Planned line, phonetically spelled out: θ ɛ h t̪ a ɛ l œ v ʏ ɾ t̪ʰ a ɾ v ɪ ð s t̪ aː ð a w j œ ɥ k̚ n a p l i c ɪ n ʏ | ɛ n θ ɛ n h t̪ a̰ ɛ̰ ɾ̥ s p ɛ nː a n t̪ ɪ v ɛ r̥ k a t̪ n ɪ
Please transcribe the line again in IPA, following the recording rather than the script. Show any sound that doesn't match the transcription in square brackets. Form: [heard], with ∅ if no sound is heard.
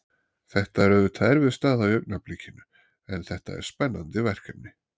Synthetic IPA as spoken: θ ɛ h t̪ a ɛ [ɾ] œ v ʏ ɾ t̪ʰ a ɾ v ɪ ð s t̪ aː ð a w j œ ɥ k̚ n a p l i c ɪ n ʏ | ɛ n θ ɛ [∅] h t̪ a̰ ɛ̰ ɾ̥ s p ɛ nː a n t̪ ɪ v ɛ r̥ k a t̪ n ɪ